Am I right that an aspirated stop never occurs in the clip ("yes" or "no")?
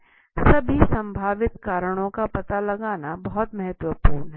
yes